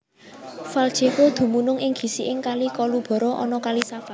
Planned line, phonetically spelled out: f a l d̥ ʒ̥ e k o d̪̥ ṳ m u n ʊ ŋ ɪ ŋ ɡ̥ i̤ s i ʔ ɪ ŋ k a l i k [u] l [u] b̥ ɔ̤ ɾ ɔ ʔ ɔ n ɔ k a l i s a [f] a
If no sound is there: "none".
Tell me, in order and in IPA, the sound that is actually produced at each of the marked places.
ɔ, u, f

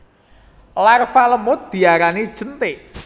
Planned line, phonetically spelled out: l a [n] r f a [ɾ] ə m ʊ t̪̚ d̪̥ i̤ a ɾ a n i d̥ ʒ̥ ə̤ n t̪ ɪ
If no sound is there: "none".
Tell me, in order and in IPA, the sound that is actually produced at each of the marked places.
none, l

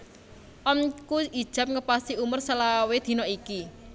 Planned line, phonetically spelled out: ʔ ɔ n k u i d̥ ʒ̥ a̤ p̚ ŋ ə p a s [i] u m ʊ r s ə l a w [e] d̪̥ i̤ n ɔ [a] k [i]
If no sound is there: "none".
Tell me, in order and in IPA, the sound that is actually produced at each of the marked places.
i, e, i, i

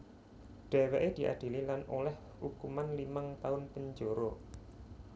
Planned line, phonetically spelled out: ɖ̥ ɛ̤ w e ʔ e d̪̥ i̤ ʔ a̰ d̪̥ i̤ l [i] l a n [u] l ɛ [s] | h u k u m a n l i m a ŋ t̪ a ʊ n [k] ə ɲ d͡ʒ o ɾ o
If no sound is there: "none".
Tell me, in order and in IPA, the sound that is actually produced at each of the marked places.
i, o, h, p

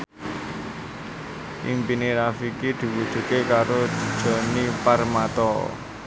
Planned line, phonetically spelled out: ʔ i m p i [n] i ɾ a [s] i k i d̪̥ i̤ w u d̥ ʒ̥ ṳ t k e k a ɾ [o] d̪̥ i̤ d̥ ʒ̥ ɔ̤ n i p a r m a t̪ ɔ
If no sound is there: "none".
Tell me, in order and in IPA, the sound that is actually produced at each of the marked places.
n, f, o

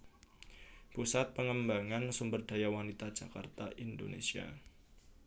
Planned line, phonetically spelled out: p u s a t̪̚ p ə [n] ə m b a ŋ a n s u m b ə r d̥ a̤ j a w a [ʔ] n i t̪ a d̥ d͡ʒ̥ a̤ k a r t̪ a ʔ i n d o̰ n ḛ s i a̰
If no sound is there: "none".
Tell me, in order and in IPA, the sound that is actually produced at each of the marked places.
ŋ, none

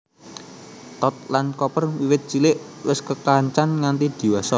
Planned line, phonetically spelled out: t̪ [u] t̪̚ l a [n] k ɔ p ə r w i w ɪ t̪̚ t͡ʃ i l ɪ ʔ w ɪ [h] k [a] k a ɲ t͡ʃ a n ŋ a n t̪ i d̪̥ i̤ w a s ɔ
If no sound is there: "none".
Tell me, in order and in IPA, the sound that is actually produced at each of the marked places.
ɔ, n, s, ə

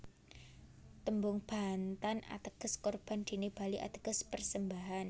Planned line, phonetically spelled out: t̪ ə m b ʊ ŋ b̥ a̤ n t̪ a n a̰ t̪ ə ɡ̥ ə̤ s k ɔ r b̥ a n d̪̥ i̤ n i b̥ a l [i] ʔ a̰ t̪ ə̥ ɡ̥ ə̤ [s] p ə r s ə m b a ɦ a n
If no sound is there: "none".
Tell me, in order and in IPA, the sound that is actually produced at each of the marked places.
i, s

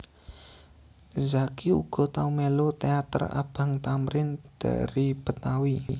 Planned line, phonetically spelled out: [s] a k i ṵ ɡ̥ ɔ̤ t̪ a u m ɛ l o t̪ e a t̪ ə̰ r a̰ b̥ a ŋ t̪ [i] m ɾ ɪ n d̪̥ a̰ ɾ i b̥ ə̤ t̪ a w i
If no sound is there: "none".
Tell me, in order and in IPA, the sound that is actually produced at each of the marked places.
z, a

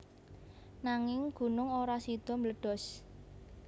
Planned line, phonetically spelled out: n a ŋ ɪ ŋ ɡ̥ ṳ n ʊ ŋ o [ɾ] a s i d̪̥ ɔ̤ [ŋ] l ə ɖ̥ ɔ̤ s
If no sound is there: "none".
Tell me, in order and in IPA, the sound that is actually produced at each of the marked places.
ɾ, m

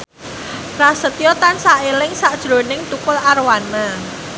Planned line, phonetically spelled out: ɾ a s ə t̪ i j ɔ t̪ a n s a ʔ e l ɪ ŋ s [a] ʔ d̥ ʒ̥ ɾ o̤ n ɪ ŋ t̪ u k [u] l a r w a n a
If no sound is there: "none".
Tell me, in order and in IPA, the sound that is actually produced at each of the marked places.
a, ʊ

